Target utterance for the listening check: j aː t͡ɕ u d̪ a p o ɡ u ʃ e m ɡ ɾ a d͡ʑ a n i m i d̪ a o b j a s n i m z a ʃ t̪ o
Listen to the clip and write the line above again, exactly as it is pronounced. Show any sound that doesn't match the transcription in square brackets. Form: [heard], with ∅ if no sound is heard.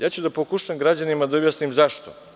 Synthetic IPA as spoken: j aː t͡ɕ u d̪ a p o [k] u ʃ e m ɡ ɾ a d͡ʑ a n i m [a] d̪ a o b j a s n i m z a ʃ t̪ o